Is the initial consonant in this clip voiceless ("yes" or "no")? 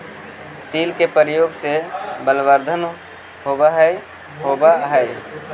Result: yes